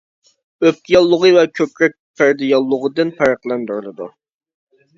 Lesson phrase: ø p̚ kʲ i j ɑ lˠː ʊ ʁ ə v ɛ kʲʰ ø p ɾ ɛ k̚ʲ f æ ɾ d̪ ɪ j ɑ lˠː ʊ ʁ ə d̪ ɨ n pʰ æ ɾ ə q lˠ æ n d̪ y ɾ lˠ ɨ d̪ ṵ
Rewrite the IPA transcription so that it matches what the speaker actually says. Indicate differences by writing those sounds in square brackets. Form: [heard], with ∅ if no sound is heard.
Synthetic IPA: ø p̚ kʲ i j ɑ lˠː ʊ ʁ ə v ɛ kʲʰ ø p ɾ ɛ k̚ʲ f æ ɾ d̪ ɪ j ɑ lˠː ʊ ʁ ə d̪ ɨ n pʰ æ ɾ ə q lˠ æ n d̪ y ɾ lˠ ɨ d̪ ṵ